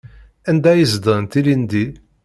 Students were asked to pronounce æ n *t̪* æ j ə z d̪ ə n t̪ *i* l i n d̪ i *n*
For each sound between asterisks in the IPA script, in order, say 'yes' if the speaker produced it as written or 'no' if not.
no, yes, no

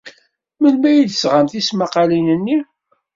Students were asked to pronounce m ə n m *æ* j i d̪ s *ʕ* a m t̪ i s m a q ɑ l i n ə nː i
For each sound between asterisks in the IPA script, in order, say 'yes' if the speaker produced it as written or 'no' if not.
yes, no

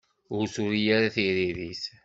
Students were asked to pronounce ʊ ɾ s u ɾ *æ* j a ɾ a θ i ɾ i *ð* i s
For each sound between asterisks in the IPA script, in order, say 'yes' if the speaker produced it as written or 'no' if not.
no, yes

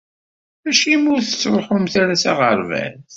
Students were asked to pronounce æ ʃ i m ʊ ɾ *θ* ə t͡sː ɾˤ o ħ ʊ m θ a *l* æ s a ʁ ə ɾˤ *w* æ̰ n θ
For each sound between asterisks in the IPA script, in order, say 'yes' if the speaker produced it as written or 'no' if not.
yes, no, no

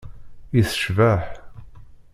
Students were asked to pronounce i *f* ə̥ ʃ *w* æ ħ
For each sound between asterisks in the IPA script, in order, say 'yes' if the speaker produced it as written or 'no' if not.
no, no

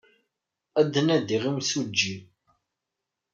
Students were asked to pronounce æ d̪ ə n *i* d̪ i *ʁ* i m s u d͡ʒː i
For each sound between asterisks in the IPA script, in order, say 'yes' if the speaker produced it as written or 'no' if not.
no, yes

